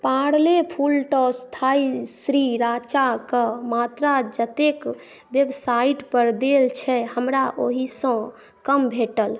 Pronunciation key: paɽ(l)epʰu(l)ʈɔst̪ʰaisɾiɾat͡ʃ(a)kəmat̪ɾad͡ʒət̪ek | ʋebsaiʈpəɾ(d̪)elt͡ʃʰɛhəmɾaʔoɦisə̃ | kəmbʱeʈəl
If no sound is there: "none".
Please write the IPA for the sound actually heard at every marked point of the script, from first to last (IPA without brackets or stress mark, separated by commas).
l, l, a, d̪